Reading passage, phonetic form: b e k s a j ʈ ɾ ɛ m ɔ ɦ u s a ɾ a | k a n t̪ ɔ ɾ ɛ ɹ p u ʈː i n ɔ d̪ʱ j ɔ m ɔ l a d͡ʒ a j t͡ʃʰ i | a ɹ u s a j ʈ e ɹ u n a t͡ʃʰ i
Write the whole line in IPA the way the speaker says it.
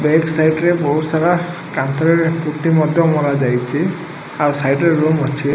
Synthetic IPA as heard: b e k s a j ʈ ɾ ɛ b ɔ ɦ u s a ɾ a | k a n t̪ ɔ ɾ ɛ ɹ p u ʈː i m ɔ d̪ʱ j ɔ m ɔ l a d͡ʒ a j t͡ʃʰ i | a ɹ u s a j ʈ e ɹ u m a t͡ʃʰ i